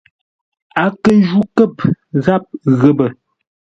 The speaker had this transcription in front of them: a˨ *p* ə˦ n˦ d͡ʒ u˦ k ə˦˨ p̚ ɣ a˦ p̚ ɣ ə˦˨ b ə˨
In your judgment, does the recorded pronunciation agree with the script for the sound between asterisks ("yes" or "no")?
no